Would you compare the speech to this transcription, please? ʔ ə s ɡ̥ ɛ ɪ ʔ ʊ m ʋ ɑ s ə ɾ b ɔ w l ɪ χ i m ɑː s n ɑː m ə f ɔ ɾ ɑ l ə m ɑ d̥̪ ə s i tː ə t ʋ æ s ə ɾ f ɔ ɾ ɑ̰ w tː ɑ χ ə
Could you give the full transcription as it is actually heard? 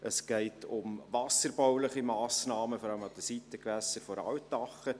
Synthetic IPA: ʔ ə s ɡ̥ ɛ ɪ t ʊ m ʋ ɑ s ə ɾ b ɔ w l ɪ χ i m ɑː s n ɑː m ə f ɔ ɾ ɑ l ə m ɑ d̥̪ ə s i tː ə k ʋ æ s ə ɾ f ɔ ɾ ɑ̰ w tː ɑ χ ə